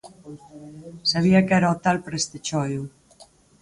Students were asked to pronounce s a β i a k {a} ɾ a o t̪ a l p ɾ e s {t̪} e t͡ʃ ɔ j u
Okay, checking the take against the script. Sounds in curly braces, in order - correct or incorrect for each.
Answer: incorrect: ɛ, correct

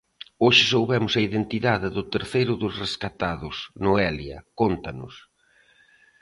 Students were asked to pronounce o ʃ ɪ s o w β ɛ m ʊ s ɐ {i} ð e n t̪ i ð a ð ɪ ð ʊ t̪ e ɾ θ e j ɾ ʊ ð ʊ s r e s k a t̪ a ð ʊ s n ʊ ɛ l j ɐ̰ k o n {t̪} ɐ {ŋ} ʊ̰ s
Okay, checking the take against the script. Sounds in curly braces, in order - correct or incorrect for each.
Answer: correct, correct, incorrect: n

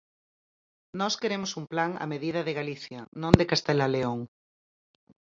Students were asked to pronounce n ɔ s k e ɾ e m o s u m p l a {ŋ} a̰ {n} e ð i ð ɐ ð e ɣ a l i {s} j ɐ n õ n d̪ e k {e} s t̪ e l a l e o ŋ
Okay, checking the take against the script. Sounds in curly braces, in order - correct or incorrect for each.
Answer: correct, incorrect: m, incorrect: θ, incorrect: a

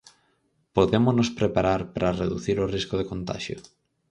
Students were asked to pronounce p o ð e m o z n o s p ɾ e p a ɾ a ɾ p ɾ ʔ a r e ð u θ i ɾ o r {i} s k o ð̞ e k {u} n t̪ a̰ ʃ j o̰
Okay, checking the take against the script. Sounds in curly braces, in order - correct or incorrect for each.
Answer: correct, incorrect: o

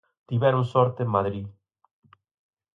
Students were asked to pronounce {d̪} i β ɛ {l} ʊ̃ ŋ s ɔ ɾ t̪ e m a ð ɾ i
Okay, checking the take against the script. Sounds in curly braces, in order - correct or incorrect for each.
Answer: incorrect: t̪, incorrect: ɾ

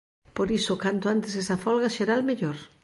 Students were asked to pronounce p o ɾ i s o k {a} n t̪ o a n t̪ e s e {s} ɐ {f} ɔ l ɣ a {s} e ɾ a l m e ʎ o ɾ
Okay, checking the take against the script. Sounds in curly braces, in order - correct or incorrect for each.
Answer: correct, correct, correct, incorrect: ʃ

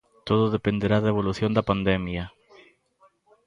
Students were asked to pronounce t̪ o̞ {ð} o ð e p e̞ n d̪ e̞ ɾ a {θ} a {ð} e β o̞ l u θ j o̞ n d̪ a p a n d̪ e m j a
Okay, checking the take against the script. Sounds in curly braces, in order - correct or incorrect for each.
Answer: correct, incorrect: ð, incorrect: none

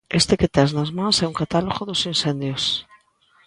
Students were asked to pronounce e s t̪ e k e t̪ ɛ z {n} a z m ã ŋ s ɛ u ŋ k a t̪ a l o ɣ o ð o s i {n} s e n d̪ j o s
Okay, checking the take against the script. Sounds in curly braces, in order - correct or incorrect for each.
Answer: correct, correct

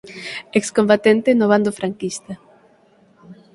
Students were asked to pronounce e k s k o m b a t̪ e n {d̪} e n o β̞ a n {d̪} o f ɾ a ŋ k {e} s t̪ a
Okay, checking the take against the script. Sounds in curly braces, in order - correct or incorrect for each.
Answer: incorrect: t̪, correct, incorrect: i

